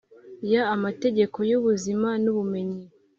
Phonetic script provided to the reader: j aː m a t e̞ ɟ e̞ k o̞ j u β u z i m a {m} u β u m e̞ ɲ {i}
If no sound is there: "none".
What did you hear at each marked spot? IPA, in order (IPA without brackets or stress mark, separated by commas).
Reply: n, i